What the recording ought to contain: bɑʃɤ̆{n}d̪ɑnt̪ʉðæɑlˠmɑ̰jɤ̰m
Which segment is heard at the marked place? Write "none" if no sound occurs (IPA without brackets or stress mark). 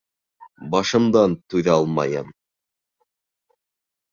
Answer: m